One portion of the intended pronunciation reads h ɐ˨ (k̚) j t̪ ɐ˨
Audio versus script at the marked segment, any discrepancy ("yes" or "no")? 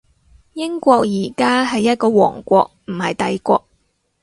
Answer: yes